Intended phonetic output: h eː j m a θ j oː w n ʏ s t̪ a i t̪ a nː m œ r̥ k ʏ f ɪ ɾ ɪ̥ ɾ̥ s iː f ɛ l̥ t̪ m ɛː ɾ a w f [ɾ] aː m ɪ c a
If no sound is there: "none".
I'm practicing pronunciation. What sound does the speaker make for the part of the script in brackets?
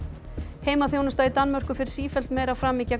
ɾ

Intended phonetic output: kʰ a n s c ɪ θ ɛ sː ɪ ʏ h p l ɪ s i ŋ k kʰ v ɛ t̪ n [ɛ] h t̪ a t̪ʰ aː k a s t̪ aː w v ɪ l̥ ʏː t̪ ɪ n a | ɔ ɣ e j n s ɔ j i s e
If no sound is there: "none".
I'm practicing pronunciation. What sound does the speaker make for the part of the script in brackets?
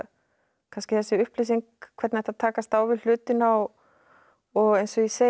ɛ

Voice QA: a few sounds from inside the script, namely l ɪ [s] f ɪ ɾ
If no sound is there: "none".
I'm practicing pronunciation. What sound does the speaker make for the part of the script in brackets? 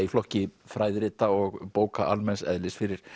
s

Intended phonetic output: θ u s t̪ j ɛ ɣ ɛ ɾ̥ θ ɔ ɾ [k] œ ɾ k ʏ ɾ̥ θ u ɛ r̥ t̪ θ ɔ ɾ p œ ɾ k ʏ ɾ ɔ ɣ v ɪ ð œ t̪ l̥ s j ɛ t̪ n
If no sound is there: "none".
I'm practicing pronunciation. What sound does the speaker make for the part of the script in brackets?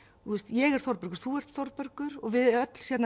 p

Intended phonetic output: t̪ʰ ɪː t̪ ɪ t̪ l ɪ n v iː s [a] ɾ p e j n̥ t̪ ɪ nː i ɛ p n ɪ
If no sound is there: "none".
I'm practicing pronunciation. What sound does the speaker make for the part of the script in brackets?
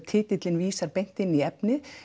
a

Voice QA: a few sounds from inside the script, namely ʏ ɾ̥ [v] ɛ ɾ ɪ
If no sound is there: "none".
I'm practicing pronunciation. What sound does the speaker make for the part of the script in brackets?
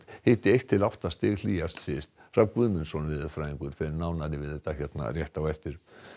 f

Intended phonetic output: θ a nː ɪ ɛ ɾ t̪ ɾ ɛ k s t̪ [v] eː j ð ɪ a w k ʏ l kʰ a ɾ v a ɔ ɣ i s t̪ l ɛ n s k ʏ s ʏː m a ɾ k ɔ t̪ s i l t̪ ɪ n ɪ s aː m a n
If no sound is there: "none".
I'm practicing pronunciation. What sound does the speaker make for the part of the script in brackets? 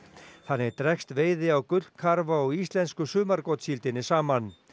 v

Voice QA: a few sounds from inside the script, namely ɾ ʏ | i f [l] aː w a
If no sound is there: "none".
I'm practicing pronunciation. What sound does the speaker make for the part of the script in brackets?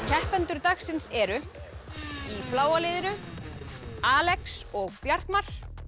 l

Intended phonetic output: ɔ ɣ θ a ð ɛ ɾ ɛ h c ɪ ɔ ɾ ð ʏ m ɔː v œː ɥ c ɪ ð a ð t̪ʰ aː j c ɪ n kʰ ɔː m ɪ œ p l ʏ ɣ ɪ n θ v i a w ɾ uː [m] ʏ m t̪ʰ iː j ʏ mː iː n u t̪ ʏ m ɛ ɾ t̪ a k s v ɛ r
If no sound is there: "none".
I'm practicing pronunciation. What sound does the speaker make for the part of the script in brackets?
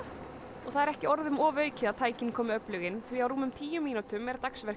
m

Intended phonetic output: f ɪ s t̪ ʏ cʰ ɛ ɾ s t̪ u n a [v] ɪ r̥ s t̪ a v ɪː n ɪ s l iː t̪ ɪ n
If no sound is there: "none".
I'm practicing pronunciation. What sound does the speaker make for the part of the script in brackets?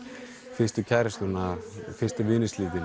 f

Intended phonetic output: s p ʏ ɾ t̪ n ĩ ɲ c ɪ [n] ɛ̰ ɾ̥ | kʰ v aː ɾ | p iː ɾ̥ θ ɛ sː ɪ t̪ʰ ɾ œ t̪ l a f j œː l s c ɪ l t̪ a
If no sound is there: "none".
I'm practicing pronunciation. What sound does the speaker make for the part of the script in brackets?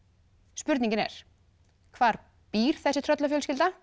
n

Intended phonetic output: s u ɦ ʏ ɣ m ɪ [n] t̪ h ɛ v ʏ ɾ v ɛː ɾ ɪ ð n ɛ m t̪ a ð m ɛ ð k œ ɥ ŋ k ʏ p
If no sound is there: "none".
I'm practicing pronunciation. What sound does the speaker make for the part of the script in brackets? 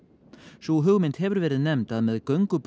n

